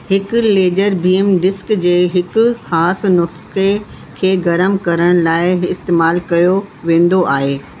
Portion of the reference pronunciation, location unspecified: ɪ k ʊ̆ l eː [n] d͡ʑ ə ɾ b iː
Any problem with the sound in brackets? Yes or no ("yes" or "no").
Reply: yes